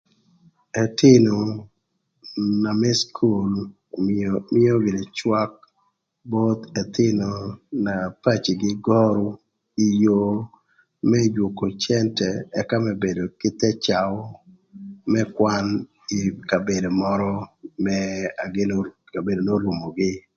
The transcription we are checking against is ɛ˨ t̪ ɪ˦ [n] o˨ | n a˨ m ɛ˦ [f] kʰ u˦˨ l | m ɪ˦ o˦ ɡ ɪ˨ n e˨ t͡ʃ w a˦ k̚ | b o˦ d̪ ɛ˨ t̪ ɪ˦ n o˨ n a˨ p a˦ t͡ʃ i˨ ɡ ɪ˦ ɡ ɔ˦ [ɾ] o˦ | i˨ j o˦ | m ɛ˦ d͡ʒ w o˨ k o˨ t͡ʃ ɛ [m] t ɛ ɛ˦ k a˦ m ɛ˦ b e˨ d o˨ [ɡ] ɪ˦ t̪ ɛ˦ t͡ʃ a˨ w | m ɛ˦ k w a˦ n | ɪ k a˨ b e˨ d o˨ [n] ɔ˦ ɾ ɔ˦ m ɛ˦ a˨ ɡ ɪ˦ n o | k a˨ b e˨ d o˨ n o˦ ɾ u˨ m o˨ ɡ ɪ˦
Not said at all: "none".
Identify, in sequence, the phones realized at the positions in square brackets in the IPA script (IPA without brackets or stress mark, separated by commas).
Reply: n, s, ɾ, n, k, m